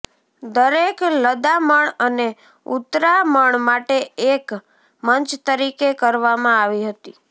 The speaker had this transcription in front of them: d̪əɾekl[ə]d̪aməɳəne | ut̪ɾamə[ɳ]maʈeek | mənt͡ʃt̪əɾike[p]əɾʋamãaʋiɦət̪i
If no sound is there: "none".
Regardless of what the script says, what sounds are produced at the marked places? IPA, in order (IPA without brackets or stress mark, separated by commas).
ə, ɳ, k